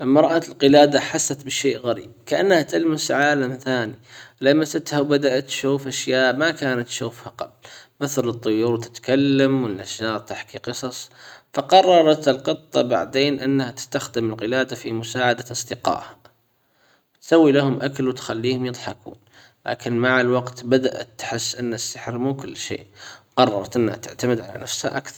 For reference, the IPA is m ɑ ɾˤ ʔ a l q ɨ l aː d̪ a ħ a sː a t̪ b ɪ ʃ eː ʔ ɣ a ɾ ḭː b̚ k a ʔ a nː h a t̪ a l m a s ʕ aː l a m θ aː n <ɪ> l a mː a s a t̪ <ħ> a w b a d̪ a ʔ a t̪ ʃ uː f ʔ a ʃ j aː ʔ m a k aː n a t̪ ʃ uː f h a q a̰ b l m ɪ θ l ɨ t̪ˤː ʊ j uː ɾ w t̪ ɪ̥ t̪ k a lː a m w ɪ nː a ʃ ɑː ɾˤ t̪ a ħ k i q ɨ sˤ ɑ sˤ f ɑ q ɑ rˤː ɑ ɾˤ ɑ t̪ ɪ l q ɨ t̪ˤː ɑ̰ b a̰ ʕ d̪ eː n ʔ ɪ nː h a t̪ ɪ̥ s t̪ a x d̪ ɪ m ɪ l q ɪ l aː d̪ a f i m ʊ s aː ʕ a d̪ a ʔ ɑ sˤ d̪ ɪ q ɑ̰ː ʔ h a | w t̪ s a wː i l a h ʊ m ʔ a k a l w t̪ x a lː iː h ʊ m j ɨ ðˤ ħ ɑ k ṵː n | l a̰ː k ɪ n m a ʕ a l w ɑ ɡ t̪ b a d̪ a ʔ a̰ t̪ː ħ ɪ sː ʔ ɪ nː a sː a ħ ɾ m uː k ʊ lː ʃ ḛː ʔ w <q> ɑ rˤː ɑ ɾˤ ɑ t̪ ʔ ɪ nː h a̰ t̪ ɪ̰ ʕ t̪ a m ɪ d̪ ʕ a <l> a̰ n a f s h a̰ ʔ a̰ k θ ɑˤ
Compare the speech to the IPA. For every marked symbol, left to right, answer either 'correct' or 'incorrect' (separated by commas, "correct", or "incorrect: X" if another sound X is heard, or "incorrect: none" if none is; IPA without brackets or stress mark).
incorrect: i, incorrect: h, correct, correct